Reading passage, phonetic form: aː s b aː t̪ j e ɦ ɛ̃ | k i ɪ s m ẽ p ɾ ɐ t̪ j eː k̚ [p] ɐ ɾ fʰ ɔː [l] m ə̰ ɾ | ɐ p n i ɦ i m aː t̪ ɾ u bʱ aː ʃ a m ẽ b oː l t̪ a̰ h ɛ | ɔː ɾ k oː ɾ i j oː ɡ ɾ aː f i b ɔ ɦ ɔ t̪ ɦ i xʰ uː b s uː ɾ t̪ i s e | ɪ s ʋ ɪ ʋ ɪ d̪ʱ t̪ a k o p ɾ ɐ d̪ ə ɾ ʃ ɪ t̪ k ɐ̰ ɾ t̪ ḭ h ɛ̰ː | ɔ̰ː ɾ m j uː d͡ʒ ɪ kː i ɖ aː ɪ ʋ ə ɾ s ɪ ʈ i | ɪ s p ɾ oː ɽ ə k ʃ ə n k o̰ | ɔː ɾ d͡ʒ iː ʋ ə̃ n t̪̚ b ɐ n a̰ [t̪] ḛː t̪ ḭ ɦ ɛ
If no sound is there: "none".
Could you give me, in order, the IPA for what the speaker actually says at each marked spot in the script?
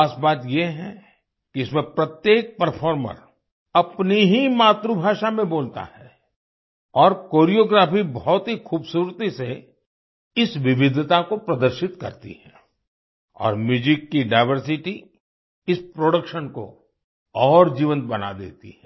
p, ɾ, d̪

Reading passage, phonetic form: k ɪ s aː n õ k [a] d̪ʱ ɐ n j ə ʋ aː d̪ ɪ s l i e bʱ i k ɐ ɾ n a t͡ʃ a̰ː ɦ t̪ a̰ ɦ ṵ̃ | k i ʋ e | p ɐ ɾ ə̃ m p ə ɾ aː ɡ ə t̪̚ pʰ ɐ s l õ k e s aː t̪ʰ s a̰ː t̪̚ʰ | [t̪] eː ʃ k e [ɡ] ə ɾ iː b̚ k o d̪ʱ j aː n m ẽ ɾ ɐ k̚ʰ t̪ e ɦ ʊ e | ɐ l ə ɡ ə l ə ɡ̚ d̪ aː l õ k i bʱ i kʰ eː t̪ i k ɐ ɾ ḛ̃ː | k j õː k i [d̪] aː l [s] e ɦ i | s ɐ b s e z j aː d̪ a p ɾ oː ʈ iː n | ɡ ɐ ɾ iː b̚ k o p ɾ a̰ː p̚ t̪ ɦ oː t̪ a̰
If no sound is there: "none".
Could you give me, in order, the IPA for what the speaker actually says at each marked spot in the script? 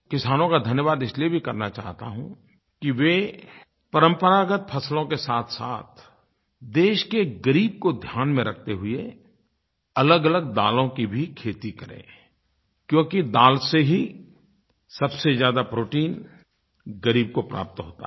a, d̪, ɡ, d̪, s

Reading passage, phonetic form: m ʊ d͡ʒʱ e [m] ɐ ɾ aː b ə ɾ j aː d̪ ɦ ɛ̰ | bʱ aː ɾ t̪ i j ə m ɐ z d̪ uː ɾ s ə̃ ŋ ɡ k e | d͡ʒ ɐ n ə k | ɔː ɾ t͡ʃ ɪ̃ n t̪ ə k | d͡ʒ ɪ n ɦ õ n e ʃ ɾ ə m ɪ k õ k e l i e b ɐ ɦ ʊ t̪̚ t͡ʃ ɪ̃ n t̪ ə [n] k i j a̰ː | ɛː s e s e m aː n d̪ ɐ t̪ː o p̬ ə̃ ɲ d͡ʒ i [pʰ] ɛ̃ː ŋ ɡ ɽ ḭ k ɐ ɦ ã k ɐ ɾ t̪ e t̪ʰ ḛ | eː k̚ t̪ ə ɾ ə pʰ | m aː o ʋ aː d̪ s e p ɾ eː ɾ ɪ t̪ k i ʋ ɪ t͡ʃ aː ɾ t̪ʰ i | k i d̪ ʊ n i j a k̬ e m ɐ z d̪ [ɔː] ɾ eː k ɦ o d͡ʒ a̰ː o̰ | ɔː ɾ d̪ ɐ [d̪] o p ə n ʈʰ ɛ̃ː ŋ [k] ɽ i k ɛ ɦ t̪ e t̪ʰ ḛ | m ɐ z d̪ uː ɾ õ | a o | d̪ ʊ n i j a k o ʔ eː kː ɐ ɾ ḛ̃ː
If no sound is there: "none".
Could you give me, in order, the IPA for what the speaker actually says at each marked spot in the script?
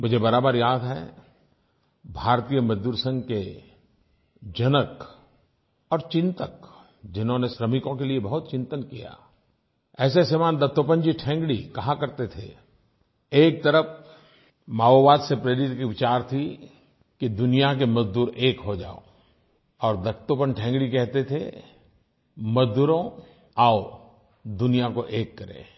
b, n, ʈʰ, uː, t̪, ɡ

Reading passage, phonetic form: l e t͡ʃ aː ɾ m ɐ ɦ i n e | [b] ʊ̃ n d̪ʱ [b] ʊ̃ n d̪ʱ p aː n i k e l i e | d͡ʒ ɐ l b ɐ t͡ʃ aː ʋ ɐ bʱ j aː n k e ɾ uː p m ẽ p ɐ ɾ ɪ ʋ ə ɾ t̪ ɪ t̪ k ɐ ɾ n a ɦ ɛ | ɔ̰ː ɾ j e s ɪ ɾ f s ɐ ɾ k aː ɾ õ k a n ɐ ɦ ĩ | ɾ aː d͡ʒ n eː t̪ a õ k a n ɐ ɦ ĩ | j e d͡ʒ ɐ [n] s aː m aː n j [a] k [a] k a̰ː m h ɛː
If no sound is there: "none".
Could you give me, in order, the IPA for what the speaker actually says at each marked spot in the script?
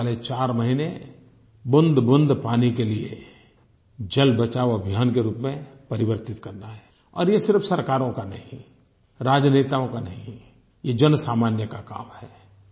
b, b, n, ə, a

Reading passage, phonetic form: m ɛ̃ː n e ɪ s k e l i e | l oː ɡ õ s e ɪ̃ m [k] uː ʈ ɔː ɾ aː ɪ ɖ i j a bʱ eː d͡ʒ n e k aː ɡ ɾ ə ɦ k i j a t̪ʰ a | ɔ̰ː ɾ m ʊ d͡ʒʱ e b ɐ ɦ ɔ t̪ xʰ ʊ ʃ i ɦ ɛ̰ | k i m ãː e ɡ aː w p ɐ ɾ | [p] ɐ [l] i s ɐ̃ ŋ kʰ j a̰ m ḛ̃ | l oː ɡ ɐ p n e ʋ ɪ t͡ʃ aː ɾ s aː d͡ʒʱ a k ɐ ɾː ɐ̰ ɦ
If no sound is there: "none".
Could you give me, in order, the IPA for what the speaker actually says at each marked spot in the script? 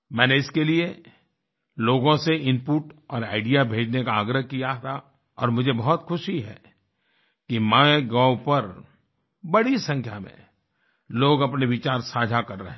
p, b, ɽ

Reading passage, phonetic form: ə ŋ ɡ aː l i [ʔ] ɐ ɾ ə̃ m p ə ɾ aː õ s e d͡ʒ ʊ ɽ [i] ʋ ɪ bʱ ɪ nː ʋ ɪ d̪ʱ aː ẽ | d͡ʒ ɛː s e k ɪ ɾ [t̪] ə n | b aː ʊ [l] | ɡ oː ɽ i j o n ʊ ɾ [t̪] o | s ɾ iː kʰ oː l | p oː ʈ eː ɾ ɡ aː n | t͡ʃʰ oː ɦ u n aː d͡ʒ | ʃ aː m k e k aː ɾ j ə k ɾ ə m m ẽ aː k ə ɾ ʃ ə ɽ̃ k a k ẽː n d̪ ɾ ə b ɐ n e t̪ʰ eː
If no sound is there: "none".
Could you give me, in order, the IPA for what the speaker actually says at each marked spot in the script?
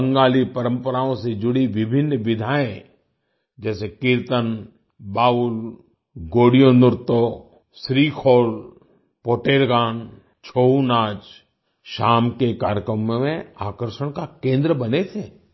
p, i, t̪, l, t̪

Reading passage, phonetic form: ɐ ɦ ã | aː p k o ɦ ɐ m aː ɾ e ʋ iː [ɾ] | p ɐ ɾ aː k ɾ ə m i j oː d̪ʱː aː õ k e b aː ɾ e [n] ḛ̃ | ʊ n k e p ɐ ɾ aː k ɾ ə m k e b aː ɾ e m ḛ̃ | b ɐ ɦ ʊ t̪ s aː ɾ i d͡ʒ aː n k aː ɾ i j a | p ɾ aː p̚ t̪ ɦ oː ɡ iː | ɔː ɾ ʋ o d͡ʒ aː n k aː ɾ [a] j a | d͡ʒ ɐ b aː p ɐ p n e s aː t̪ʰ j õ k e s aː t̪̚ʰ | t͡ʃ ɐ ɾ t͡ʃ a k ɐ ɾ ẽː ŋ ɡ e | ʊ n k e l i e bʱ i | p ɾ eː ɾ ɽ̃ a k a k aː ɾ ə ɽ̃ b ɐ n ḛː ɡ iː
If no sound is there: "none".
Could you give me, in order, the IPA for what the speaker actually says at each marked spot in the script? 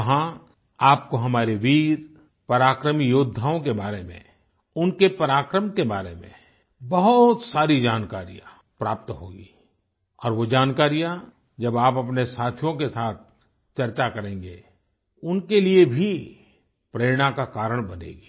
ɾ, m, i

